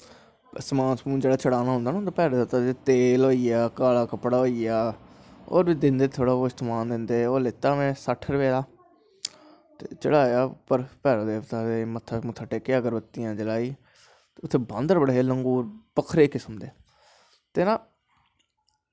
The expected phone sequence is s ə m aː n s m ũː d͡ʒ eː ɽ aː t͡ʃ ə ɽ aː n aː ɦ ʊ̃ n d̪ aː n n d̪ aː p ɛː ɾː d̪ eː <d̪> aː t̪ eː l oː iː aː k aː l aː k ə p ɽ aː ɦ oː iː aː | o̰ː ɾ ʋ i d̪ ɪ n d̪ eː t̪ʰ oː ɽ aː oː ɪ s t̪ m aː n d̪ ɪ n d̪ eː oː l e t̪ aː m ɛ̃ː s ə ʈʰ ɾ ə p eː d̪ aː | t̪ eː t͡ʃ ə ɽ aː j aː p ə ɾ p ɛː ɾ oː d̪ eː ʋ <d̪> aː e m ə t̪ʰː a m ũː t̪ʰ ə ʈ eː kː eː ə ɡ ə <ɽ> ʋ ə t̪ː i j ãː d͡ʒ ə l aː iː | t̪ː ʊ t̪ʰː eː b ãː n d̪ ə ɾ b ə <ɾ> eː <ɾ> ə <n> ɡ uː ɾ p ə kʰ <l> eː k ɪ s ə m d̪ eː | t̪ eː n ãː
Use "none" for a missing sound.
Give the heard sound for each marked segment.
t̪, t̪, ɾ, ɽ, l, ŋ, ɾ

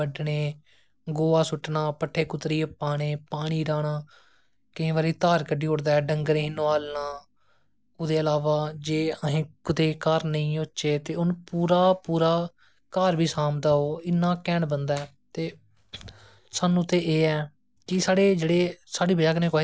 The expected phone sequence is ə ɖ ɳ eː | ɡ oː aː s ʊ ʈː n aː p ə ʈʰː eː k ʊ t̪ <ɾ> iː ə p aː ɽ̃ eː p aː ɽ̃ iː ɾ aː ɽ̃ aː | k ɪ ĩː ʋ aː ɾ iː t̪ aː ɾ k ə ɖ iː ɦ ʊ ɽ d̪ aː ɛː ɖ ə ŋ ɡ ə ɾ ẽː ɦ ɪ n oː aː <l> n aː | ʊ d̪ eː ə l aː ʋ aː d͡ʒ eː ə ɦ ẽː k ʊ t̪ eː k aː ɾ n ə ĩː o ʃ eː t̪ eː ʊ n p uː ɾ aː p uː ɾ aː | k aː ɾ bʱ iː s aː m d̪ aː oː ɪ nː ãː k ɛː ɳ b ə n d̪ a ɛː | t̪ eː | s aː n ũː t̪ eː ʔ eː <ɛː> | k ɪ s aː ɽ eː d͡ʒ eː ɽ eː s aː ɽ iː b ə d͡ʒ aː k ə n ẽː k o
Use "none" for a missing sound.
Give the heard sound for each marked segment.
ɾ, l, ɛː

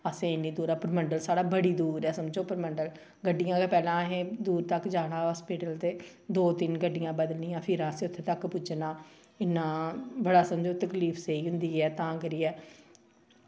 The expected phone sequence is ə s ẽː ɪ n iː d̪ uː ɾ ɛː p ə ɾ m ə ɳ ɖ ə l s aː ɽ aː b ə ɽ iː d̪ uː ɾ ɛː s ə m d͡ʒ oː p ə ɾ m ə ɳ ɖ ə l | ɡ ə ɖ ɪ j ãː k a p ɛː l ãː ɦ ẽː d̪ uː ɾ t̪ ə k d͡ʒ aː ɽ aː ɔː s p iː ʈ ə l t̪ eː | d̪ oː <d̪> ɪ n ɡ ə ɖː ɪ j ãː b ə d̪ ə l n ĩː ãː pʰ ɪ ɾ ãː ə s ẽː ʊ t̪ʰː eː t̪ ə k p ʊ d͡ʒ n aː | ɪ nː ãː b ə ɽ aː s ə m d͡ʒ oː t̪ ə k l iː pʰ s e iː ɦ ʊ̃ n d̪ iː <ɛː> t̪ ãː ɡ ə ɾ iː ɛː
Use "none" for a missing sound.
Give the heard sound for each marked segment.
t̪, ɛː

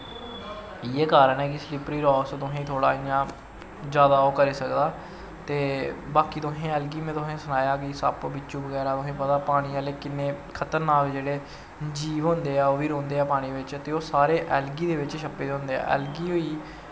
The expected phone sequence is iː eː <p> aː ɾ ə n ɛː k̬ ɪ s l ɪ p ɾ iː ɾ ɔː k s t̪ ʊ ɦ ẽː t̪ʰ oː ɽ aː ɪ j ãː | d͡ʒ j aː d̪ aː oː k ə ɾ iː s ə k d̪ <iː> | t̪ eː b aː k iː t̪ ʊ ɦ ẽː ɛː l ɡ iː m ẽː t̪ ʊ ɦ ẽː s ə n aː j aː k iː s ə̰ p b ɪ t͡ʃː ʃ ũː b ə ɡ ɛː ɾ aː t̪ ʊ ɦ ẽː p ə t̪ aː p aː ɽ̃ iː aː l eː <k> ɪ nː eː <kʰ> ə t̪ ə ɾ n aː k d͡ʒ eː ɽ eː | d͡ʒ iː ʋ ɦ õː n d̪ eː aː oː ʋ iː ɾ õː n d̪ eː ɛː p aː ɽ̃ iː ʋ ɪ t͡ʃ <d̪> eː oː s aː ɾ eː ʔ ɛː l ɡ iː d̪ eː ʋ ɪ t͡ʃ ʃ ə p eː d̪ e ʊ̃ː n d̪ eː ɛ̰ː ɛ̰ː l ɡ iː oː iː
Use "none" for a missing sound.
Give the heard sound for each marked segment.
k, aː, k, kʰ, t̪

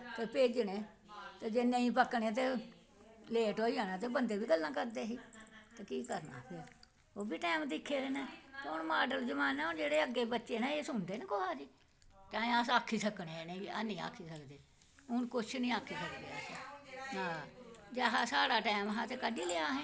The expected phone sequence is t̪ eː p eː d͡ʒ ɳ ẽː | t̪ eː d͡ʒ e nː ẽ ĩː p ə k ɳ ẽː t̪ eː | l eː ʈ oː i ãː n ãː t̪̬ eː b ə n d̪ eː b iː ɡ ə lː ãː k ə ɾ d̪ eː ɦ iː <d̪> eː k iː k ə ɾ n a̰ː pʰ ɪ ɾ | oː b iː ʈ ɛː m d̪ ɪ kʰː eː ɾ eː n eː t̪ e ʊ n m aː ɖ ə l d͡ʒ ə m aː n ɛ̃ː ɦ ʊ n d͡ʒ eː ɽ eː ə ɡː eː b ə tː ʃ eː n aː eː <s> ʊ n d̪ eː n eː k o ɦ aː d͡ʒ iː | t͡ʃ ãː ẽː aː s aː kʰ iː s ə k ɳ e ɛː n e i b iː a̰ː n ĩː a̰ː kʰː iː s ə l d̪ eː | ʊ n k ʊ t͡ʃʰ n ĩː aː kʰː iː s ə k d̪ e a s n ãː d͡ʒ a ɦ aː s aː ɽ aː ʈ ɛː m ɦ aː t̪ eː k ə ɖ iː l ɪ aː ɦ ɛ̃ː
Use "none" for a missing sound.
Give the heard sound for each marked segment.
t̪, s

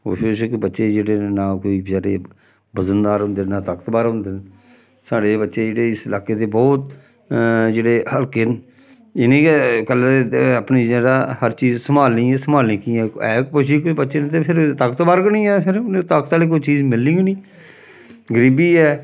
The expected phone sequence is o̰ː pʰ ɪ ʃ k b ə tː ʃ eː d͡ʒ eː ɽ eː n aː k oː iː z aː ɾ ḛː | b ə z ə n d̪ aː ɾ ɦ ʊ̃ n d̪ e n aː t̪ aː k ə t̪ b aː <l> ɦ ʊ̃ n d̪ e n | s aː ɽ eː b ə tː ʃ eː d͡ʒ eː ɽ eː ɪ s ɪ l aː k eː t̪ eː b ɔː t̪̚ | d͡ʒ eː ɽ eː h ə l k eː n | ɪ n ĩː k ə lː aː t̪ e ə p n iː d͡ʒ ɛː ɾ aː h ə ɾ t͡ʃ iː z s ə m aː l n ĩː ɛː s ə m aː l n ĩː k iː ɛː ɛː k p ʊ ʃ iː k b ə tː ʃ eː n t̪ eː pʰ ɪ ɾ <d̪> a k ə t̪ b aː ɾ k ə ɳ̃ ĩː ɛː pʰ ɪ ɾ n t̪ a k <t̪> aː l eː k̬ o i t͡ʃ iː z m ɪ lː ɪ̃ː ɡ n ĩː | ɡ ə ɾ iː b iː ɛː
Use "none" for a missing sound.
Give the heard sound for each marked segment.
ɾ, t̪, t̪

